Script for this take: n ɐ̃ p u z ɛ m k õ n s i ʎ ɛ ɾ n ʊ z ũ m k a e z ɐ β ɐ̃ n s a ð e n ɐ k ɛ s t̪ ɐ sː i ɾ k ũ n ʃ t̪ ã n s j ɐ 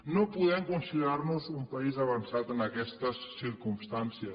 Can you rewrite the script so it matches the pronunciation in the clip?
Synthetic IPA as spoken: n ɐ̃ p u ð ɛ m k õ n s i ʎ a ɾ n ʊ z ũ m p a i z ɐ β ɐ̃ n s a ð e n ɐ k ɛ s t̪ ɐ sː i ɾ k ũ m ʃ t̪ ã n s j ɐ